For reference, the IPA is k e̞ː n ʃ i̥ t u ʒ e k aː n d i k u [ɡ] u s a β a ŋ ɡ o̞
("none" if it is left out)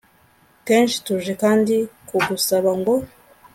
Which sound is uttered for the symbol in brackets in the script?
ɡ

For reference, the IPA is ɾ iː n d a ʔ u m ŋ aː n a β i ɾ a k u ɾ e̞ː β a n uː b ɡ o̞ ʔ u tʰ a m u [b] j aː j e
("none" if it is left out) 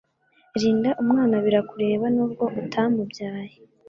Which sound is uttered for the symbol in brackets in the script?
b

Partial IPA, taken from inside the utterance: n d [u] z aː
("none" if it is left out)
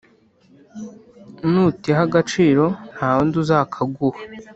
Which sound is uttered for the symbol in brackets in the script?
u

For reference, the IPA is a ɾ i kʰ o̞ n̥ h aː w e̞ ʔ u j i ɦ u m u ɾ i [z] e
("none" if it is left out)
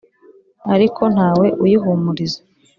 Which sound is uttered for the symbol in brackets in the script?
z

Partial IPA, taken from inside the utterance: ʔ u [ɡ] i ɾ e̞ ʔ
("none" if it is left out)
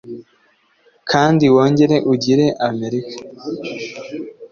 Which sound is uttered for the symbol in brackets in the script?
ɟ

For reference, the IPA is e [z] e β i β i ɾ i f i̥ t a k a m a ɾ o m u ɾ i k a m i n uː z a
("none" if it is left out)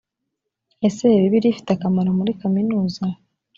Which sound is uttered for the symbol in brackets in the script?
s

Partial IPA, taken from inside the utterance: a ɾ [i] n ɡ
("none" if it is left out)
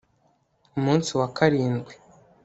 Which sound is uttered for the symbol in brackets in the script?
iː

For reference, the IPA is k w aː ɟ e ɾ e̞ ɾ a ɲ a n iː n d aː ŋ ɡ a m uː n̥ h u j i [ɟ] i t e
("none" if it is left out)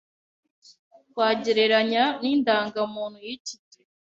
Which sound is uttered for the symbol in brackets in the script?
c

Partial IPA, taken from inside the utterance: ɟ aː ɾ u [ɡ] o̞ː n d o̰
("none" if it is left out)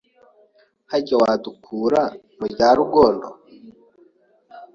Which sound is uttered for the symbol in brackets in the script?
ɡ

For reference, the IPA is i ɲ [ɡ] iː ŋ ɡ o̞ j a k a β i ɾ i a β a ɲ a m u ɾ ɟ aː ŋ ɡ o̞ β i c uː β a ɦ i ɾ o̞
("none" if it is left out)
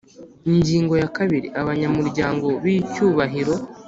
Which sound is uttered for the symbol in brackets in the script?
ɟ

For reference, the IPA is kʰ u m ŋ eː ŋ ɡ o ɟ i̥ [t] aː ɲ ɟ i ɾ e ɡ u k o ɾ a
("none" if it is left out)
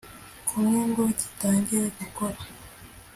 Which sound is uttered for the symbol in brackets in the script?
t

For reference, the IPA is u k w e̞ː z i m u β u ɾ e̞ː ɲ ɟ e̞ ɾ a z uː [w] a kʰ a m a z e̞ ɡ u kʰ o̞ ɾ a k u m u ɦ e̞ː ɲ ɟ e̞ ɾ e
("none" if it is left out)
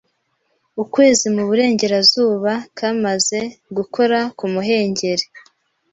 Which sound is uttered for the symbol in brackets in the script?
β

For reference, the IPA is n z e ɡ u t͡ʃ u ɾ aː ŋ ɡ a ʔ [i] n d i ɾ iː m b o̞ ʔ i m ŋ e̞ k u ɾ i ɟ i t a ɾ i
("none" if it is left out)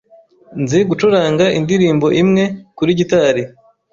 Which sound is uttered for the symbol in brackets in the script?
i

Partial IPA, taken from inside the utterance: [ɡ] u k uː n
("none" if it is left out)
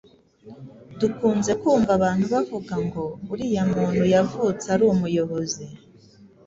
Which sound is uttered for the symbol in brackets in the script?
d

